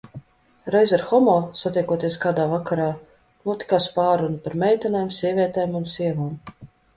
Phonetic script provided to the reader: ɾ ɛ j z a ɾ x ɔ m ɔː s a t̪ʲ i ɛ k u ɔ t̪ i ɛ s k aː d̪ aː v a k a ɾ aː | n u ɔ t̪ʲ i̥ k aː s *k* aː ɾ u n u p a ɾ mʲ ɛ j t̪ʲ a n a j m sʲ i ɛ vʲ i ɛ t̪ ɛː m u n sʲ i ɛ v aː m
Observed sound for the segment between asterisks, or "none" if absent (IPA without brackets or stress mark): p